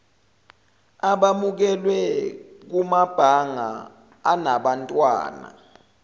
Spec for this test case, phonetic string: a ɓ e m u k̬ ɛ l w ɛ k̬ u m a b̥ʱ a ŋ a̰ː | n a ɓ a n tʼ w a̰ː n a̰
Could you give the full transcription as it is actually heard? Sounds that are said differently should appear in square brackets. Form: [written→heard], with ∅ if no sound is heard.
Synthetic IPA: a ɓ [e→a] m u k̬ ɛ l w ɛ k̬ u m a b̥ʱ a ŋ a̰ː | n a ɓ a n tʼ w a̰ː n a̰